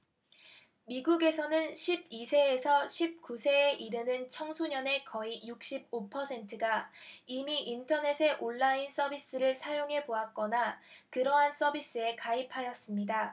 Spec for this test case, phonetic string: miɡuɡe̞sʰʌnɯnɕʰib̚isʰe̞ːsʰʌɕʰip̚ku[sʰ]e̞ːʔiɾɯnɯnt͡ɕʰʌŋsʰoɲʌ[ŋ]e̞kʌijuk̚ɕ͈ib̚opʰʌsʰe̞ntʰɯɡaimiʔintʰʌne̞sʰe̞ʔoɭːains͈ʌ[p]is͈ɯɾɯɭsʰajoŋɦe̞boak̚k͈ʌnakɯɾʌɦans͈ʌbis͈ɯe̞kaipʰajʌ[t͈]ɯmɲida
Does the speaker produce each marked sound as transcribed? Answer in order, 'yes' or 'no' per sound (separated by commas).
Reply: yes, no, no, no